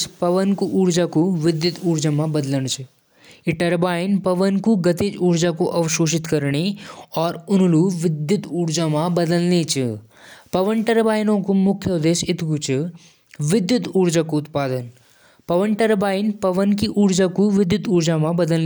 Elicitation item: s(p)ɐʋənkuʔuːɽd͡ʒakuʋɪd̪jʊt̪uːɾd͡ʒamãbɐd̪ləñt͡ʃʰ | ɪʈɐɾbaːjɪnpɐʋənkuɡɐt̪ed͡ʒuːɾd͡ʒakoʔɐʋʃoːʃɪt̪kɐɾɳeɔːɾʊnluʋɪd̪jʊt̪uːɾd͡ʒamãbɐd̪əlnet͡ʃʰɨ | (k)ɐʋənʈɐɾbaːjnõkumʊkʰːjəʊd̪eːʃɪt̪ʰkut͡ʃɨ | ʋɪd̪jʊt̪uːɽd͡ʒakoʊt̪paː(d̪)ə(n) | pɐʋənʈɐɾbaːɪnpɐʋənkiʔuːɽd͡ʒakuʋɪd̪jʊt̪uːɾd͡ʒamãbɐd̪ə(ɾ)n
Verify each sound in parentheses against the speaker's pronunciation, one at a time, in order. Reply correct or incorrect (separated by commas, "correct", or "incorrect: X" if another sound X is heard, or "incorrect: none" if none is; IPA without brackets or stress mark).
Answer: correct, incorrect: p, correct, correct, incorrect: l